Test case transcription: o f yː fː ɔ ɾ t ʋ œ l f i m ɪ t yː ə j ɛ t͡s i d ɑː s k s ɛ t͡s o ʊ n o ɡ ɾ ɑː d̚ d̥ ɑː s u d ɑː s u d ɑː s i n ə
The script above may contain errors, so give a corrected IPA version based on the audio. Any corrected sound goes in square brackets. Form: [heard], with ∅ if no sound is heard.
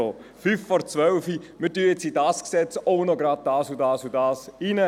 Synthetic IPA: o f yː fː ɔ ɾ [t͡s] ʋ œ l f i m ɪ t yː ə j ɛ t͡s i d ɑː s k s ɛ t͡s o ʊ n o ɡ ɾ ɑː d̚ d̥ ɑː s u d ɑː s u d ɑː s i n ə